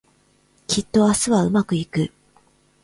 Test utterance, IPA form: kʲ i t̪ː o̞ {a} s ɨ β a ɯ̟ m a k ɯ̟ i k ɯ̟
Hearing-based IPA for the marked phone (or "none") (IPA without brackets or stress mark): a